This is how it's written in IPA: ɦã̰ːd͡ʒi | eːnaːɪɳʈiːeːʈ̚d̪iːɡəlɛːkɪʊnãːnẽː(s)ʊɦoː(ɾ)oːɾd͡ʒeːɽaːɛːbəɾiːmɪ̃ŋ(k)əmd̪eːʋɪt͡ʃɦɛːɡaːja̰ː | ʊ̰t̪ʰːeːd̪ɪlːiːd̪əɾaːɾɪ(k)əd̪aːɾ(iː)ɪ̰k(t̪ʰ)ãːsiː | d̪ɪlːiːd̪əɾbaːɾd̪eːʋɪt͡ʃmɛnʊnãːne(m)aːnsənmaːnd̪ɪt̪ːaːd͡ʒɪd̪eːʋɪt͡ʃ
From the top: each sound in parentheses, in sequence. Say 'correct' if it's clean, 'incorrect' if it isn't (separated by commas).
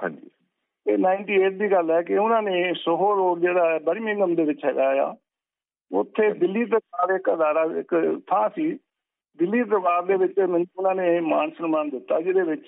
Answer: correct, correct, incorrect, correct, incorrect, correct, correct